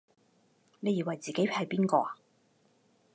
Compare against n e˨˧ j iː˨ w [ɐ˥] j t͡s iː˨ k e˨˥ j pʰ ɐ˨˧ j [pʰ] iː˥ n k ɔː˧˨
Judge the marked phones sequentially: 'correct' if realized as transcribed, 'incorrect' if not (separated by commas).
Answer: incorrect, incorrect